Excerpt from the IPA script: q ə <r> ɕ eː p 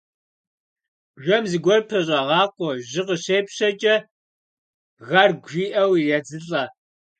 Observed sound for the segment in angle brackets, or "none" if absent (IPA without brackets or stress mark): none